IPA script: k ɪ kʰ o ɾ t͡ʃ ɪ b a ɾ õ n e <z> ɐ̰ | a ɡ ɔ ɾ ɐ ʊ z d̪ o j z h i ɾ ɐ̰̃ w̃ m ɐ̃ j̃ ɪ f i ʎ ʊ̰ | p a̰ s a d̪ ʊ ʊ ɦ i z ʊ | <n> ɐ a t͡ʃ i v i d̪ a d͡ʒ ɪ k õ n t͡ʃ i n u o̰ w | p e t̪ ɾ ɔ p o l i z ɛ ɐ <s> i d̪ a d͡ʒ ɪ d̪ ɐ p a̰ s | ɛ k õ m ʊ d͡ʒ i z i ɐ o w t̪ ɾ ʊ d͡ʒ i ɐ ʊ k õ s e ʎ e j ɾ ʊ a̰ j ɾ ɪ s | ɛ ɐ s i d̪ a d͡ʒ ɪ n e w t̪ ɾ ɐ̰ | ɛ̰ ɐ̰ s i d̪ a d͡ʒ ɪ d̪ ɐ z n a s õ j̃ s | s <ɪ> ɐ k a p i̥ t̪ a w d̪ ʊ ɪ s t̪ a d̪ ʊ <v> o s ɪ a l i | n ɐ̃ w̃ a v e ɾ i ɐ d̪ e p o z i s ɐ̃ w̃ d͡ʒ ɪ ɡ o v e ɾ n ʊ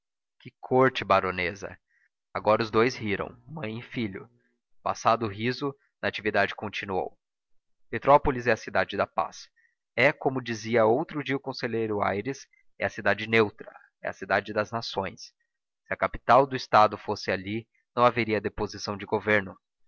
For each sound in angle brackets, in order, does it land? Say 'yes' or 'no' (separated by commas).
yes, yes, yes, yes, no